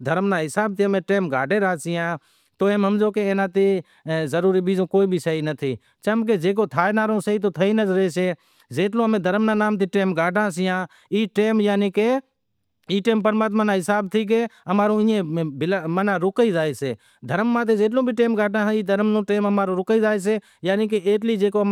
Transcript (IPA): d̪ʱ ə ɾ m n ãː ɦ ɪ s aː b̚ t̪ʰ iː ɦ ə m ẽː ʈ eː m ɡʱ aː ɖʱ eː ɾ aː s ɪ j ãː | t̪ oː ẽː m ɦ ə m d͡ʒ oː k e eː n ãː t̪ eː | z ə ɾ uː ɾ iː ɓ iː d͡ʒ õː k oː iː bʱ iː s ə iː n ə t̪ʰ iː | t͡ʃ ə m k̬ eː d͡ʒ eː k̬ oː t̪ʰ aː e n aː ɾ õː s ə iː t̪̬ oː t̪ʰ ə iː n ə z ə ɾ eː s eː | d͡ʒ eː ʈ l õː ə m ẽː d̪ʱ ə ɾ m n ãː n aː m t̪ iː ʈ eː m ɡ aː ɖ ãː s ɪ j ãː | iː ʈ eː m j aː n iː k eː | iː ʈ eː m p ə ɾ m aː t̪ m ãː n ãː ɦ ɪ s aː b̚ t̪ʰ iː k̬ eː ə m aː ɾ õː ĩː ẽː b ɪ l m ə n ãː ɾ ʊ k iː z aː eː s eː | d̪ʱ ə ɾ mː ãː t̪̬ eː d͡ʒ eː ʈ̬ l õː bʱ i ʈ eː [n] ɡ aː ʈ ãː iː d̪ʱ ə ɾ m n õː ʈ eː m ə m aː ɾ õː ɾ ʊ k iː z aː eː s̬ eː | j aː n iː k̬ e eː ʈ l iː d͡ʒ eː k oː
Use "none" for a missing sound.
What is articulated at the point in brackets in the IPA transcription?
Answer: m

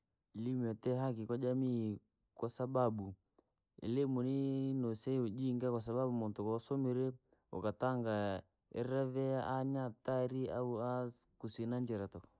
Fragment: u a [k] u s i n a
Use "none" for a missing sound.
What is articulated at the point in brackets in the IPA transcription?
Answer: k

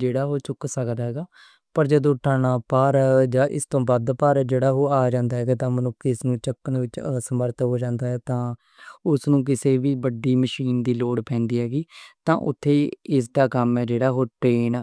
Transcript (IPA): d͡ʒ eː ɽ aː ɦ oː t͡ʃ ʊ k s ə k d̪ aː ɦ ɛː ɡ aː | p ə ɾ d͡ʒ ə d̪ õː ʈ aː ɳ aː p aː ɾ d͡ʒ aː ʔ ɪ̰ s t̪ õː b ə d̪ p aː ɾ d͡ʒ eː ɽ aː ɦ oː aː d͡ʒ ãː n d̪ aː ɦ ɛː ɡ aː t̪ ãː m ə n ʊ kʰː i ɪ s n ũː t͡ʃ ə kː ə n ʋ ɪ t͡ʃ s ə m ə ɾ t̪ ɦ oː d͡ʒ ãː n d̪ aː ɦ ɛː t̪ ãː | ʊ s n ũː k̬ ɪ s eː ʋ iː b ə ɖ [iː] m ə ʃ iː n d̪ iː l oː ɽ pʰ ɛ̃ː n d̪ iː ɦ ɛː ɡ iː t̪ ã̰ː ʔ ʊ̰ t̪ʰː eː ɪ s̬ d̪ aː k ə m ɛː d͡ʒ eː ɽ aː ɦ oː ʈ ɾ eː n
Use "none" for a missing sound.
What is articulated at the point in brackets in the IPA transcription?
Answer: iː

